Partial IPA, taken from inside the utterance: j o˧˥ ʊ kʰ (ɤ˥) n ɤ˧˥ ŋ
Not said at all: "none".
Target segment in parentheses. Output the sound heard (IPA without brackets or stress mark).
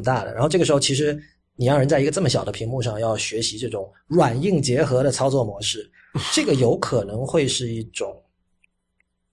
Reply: ɤ˨˩